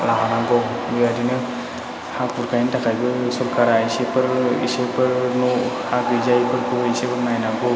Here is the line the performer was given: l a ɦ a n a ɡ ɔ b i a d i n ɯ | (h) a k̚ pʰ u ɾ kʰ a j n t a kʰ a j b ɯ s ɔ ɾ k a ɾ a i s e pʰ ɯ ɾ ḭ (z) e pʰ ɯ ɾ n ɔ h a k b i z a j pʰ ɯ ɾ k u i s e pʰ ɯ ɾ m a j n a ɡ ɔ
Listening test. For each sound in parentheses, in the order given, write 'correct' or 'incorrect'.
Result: correct, incorrect: s

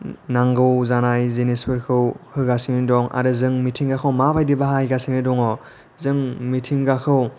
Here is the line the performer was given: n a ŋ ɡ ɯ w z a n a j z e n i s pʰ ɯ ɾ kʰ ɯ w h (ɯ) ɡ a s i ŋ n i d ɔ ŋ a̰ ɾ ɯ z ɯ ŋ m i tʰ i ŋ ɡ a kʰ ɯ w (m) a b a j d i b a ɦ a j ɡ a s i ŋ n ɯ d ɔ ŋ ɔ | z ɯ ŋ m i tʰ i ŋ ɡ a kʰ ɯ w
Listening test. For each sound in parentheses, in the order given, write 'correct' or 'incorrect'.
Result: correct, correct

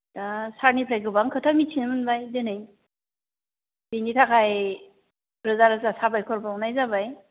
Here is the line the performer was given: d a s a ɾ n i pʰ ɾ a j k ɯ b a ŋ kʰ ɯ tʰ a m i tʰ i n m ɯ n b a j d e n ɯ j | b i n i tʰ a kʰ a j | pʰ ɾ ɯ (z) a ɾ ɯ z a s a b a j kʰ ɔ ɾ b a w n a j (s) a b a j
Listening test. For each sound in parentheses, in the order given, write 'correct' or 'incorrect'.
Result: correct, incorrect: z

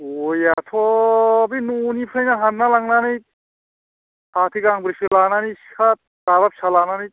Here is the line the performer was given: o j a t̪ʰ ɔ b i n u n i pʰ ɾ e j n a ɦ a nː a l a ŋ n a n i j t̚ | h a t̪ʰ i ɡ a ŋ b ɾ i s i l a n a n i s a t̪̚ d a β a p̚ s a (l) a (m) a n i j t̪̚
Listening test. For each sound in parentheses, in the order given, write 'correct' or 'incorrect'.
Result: correct, incorrect: n

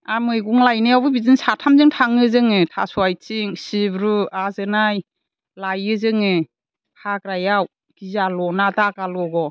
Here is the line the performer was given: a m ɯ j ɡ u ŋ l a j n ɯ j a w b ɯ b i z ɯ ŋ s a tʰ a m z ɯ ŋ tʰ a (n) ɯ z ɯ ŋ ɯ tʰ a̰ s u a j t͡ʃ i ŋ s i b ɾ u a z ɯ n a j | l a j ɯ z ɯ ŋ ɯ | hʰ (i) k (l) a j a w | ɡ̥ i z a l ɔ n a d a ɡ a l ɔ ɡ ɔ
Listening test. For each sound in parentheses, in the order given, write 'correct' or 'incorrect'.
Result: incorrect: ŋ, incorrect: a, incorrect: ɾ

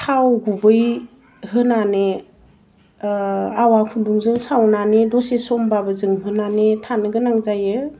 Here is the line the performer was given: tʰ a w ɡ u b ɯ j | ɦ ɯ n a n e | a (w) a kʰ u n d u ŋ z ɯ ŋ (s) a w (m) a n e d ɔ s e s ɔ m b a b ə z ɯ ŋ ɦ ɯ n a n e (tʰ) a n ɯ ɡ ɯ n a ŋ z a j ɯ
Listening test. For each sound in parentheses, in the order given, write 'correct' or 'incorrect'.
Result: correct, correct, incorrect: n, correct

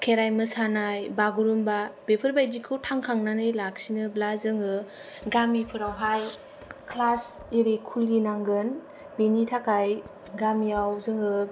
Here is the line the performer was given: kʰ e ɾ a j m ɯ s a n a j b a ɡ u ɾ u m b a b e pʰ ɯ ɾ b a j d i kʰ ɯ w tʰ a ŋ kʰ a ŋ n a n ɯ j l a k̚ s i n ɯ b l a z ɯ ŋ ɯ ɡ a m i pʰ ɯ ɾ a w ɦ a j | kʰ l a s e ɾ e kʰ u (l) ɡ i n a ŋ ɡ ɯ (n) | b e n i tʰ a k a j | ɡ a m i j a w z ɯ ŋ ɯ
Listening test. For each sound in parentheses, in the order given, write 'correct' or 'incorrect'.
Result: correct, correct

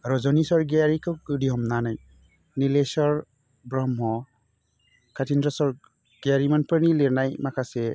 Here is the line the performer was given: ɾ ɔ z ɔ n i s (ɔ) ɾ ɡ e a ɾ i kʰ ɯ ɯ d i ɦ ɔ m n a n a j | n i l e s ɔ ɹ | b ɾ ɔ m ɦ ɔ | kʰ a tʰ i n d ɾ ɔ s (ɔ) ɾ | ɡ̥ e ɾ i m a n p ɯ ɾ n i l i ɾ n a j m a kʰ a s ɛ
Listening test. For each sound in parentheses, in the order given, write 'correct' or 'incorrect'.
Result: correct, correct

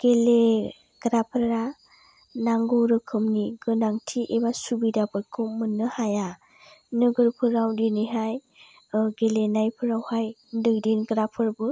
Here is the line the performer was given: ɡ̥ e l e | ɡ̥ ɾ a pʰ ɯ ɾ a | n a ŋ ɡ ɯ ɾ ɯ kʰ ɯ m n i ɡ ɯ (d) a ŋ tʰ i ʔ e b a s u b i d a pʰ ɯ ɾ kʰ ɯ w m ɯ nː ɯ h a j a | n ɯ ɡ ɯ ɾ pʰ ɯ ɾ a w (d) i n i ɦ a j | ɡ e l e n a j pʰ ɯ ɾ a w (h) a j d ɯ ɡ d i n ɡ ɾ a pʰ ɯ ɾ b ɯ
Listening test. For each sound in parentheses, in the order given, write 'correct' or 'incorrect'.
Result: incorrect: n, correct, correct

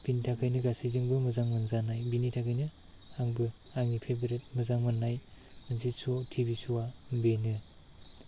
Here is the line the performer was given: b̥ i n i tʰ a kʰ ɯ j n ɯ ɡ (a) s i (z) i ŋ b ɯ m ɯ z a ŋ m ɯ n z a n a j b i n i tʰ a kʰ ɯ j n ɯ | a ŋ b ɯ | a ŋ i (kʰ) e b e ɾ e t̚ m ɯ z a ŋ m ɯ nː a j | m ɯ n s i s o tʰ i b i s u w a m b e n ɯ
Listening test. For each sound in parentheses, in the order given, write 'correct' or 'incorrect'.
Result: correct, correct, incorrect: pʰ

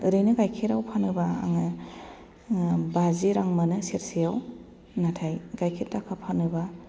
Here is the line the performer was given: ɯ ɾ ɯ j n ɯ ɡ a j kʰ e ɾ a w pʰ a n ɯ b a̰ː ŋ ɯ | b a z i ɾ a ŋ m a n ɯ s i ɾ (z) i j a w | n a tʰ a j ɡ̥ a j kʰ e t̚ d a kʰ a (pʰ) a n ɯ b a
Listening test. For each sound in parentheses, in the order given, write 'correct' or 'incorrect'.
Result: incorrect: s, correct

